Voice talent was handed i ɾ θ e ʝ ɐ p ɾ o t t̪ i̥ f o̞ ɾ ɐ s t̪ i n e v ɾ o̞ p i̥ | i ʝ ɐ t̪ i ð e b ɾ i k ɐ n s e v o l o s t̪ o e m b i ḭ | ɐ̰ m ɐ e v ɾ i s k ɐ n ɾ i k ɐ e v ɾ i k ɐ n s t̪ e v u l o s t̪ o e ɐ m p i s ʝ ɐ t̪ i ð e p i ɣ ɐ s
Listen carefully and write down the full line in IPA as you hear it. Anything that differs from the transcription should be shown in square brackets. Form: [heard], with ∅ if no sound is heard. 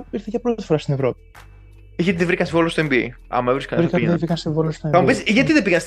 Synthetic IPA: i ɾ θ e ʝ ɐ p ɾ o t t̪ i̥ f o̞ ɾ ɐ s t̪ i n e v ɾ o̞ p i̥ | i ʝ ɐ t̪ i ð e [v] ɾ i k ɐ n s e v o l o s t̪ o e m b i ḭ | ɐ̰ m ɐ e v ɾ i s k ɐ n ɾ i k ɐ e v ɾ i k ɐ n s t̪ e v [o] l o s t̪ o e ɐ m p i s ʝ ɐ t̪ i ð e p i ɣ ɐ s